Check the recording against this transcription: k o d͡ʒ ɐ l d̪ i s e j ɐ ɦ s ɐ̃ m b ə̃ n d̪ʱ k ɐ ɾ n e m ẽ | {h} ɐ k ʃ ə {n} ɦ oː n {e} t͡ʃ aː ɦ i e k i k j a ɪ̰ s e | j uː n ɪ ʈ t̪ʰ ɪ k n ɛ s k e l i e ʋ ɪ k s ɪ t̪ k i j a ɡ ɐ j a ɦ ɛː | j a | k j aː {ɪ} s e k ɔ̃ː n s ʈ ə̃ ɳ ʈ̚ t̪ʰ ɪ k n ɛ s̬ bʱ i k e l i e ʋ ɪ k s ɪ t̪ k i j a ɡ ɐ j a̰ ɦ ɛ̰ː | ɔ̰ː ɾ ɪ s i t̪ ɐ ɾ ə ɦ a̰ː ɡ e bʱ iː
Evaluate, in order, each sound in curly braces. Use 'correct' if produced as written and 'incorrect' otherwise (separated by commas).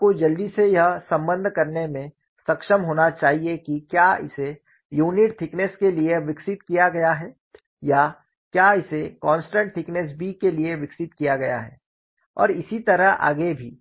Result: incorrect, incorrect, incorrect, correct